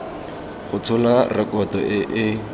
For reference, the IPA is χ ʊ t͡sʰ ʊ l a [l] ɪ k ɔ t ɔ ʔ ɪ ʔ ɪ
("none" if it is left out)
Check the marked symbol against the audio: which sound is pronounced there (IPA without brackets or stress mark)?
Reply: r